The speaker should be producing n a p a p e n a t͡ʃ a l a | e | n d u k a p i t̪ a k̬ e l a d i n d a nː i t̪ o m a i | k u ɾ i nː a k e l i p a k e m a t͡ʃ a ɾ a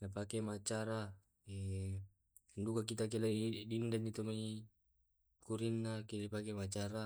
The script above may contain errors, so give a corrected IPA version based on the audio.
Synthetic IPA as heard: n a p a k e m a t͡ʃ a ɾ a | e | n d u k a k i t̪ a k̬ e l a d i n d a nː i t̪ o m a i | k u ɾ i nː a k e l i p a k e m a t͡ʃ a ɾ a